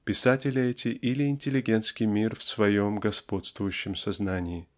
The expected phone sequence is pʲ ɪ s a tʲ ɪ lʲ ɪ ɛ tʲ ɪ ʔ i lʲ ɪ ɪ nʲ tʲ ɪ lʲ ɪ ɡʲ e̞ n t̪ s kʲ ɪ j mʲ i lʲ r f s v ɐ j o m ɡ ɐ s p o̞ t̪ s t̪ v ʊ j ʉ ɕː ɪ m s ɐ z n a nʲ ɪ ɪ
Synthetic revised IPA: pʲ ɪ s a tʲ ɪ lʲ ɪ ɛ tʲ ɪ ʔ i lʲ ɪ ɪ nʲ tʲ ɪ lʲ ɪ ɡʲ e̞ n t̪ s kʲ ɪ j mʲ i r f s v ɐ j o m ɡ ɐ s p o̞ t̪ s t̪ v ʊ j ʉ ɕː ɪ m s ɐ z n a nʲ ɪ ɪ